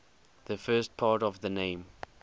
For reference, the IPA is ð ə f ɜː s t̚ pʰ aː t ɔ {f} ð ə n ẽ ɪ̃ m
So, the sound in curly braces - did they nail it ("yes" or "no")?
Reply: no